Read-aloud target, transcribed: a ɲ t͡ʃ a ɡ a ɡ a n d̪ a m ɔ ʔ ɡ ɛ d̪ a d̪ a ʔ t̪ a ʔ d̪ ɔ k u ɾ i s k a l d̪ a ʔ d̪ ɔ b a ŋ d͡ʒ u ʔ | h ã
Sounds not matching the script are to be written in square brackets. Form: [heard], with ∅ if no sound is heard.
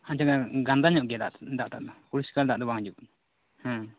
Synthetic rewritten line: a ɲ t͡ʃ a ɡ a ɡ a n d̪ a [ɲ] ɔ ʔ ɡ ɛ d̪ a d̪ a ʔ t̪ a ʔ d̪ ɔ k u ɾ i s k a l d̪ a ʔ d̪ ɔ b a ŋ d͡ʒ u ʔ | h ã